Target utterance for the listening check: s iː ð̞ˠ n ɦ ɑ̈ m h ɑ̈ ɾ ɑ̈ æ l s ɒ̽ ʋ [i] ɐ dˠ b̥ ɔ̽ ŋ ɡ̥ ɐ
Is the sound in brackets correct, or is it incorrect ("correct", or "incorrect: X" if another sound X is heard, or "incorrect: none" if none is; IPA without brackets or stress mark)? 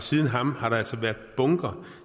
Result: incorrect: æ